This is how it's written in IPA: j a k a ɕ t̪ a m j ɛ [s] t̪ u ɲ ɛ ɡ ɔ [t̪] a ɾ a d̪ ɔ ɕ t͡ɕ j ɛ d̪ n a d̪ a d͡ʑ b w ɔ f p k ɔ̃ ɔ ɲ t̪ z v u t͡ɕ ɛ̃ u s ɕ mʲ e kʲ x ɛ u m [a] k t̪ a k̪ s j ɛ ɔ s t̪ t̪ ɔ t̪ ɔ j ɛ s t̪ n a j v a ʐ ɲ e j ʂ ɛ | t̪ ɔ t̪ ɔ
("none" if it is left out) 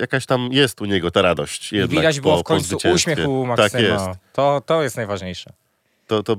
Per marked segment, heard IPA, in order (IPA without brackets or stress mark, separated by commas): s, t̪, a